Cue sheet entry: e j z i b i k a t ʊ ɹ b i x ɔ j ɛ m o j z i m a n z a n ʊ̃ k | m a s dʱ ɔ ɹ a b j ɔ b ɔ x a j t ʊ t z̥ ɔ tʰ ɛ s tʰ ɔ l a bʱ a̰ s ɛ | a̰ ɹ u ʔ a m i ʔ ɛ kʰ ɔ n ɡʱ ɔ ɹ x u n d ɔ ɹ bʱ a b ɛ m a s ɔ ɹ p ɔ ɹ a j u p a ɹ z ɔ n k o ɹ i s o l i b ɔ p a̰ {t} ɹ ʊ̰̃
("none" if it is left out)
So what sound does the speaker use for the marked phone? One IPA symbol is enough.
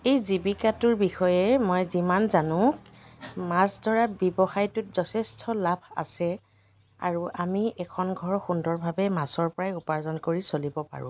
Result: none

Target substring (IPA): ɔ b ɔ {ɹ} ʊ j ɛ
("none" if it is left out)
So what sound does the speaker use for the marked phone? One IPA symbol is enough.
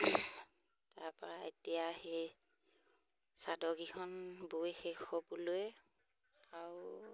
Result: l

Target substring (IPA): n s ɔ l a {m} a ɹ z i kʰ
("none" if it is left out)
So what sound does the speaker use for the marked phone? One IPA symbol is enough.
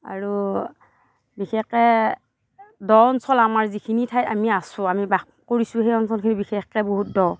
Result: m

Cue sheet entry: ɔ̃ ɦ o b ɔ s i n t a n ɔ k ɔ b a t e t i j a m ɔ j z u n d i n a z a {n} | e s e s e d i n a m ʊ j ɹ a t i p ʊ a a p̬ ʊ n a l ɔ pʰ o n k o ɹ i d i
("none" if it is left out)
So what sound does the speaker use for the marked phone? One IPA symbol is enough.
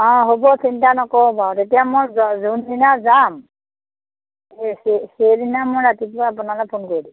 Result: m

